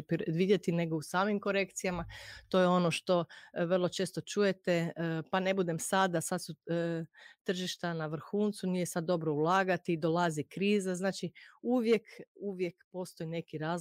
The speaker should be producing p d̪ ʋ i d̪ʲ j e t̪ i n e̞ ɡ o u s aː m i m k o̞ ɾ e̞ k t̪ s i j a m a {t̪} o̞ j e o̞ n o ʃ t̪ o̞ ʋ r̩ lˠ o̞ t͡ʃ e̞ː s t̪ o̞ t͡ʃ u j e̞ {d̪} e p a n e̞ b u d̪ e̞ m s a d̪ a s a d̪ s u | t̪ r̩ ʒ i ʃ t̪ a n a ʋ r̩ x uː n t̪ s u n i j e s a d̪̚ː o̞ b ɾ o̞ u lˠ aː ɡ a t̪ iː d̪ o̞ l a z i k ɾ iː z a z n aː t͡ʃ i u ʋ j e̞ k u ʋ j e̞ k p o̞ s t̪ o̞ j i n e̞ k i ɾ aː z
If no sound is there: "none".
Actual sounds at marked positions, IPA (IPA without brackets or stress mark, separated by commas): t̪, t̪